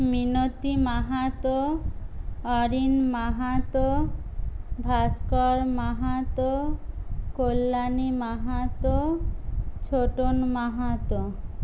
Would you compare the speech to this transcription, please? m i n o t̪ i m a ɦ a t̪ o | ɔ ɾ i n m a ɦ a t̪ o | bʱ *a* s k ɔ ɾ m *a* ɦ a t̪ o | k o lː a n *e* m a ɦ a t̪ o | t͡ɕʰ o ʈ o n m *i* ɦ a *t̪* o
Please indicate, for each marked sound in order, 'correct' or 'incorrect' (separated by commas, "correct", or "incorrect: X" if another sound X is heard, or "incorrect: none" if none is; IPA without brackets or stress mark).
correct, correct, incorrect: i, incorrect: a, correct